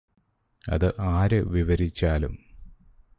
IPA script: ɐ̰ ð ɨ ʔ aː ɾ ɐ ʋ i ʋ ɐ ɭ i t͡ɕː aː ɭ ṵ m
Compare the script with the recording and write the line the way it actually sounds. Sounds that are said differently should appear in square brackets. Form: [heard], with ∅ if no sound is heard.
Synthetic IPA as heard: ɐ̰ ð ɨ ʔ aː ɾ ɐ ʋ i ʋ ɐ [ɾ] i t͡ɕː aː [l] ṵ m